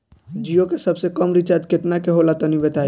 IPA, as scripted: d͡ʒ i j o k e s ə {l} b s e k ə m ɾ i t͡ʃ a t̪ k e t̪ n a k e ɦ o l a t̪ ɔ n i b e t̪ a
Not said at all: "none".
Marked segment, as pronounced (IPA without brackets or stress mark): none